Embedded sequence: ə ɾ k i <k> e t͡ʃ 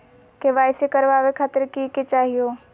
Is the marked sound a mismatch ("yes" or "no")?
no